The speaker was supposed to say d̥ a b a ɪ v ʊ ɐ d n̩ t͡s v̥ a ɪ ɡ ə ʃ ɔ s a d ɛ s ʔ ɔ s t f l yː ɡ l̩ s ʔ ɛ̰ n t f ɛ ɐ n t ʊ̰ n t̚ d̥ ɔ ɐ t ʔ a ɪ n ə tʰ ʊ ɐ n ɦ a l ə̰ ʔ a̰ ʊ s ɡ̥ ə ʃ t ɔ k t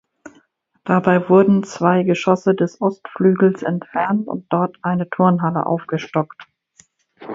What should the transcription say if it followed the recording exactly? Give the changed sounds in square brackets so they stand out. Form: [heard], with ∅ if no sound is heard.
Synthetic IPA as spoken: d̥ a b a ɪ v ʊ ɐ d n̩ t͡s v̥ a ɪ ɡ ə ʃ ɔ s [ə] d ɛ s ʔ ɔ s t f l yː ɡ l̩ s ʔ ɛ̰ n t f ɛ ɐ n t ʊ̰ n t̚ d̥ ɔ ɐ t ʔ a ɪ n ə tʰ ʊ ɐ n ɦ a l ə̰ ʔ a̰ ʊ [f] ɡ̥ ə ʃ t ɔ k t

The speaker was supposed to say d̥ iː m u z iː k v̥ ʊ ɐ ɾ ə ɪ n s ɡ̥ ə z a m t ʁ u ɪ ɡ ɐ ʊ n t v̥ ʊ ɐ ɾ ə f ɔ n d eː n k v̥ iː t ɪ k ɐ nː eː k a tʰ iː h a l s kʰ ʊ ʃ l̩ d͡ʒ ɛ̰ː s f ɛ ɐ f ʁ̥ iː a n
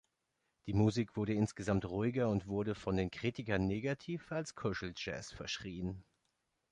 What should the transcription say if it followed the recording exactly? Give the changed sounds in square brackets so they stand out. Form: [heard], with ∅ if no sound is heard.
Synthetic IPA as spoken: d̥ iː m u z iː k v̥ ʊ ɐ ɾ ə ɪ n s ɡ̥ ə z a m t ʁ u ɪ ɡ ɐ ʊ n t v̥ ʊ ɐ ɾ ə f ɔ n d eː n k [ʁ̥] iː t ɪ k ɐ nː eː [ɡ] a tʰ iː [f] a l s kʰ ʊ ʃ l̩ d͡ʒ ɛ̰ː s f ɛ ɐ [ʃ] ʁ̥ iː [ə] n

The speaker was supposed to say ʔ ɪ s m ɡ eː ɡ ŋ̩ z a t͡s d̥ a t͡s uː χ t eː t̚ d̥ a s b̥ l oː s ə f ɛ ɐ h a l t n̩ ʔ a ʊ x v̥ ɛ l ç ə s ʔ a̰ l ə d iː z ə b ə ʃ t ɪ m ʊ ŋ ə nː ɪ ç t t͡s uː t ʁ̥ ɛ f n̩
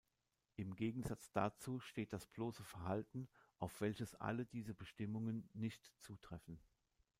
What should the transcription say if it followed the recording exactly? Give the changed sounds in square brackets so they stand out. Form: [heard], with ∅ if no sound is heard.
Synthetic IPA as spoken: ʔ ɪ [∅] m ɡ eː ɡ ŋ̩ z a t͡s d̥ a t͡s uː [ʃ] t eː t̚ d̥ a s b̥ l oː s ə f ɛ ɐ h a l t n̩ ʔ a ʊ [f] v̥ ɛ l ç ə s ʔ a̰ l ə d iː z ə b ə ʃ t ɪ m ʊ ŋ ə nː ɪ ç t t͡s uː t ʁ̥ ɛ f n̩

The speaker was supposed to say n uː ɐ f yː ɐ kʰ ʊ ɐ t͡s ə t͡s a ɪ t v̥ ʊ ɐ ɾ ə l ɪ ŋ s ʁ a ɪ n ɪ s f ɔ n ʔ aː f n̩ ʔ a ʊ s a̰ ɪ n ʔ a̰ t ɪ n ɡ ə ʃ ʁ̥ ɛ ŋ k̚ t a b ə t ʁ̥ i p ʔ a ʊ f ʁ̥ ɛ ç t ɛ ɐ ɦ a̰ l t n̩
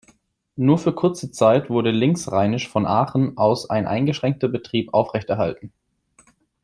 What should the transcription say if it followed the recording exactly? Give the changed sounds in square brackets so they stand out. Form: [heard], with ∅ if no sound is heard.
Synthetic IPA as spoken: n uː ɐ f yː ɐ kʰ ʊ ɐ t͡s ə t͡s a ɪ t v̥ ʊ ɐ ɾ ə l ɪ ŋ s ʁ a ɪ n ɪ [ʃ] f ɔ n ʔ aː [χ] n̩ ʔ a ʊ s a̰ ɪ n ʔ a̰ [∅] ɪ n ɡ ə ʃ ʁ̥ ɛ ŋ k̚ t [ɐ] b ə t ʁ̥ [iː] p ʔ a ʊ f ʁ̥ ɛ ç t ɛ ɐ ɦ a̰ l t n̩

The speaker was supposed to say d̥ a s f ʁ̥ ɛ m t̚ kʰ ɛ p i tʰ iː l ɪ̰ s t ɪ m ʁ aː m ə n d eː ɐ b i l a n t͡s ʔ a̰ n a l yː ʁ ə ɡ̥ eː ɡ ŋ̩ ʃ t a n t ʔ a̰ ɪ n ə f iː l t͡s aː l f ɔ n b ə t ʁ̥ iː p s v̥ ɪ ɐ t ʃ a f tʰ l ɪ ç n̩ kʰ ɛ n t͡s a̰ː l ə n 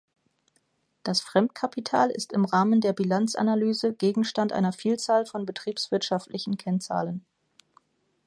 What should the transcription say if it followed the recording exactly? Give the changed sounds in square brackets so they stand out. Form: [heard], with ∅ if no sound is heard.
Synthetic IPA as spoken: d̥ a s f ʁ̥ ɛ m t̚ kʰ [a] p i tʰ [aː] l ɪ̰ s t ɪ m ʁ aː m ə n d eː ɐ b i l a n t͡s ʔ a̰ n a l yː [z] ə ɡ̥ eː ɡ ŋ̩ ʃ t a n t ʔ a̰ ɪ n [ɐ] f iː l t͡s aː l f ɔ n b ə t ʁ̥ iː p s v̥ ɪ ɐ t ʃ a f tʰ l ɪ ç n̩ kʰ ɛ n t͡s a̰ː l ə n

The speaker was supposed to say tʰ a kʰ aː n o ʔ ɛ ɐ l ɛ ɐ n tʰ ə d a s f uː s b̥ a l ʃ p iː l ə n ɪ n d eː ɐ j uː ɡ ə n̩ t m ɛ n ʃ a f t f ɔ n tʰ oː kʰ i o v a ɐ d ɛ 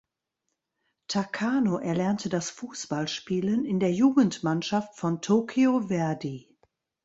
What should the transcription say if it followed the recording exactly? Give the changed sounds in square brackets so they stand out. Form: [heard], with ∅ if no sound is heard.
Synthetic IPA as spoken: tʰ a kʰ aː n o ʔ ɛ ɐ l ɛ ɐ n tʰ ə d a s f uː s b̥ a l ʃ p iː l ə n ɪ n d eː ɐ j uː ɡ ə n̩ t m [a] n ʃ a f t f ɔ n tʰ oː kʰ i o v [ɛ] ɐ d [i]

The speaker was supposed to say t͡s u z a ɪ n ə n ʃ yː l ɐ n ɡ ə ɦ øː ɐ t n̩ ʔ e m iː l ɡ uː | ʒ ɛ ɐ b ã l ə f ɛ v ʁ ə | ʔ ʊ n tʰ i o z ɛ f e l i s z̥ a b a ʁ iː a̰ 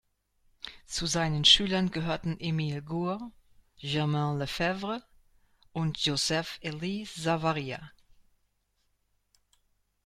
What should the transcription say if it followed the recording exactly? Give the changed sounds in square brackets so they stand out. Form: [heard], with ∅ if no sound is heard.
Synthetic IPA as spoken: t͡s u z a ɪ n ə n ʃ yː l ɐ n ɡ ə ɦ øː ɐ t n̩ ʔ e m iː l ɡ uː | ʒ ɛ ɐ [m] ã l ə f ɛ v ʁ ə | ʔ ʊ n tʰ [j] o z ɛ f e l i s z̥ a [v] a ʁ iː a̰

